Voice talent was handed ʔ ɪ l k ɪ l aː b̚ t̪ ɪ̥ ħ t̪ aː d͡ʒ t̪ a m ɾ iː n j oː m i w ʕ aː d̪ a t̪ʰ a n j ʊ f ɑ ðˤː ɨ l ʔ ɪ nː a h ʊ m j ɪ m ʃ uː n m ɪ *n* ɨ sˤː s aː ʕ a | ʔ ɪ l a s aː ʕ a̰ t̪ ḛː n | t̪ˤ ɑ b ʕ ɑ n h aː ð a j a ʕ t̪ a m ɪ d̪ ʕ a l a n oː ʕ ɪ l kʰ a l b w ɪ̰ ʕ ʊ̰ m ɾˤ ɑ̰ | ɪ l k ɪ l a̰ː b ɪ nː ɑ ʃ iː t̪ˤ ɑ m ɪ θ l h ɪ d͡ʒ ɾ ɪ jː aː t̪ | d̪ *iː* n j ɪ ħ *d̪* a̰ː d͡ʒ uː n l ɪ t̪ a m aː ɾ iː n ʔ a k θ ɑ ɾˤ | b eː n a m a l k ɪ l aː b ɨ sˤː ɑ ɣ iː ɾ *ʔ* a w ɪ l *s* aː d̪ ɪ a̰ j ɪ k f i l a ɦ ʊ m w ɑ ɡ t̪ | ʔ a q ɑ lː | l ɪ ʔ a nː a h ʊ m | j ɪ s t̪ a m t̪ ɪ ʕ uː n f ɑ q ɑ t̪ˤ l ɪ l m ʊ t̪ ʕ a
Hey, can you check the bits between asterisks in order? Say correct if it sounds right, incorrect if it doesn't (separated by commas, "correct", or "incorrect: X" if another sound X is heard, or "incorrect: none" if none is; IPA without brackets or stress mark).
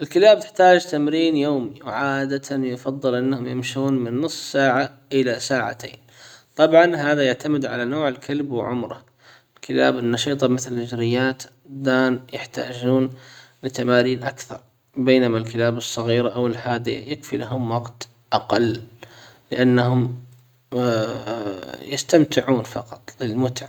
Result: incorrect: nː, incorrect: aː, incorrect: t̪, correct, incorrect: ħ